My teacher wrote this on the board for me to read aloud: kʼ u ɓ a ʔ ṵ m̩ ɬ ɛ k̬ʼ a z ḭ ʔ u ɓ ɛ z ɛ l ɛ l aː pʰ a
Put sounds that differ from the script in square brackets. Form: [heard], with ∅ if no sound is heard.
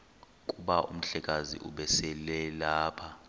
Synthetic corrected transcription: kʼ u ɓ a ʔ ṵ m̩ ɬ ɛ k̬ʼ a z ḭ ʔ u ɓ ɛ [s] ɛ l ɛ l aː pʰ a

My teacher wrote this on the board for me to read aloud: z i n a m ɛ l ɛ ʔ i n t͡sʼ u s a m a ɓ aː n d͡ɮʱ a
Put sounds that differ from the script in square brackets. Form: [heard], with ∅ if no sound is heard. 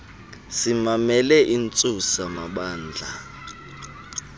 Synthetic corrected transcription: [s] i [m] a m ɛ l ɛ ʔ i n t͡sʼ u s a m a ɓ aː n d͡ɮʱ a

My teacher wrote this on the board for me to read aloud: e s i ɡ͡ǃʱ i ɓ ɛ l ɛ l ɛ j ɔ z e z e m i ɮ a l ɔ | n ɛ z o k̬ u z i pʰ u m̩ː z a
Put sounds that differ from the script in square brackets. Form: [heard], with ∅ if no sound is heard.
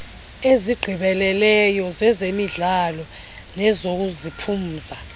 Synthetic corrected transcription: e [z] i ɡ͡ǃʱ i ɓ ɛ l ɛ l ɛ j ɔ z [ɛ] z e m i ɮ a l ɔ | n ɛ z o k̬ u z i pʰ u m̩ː z a

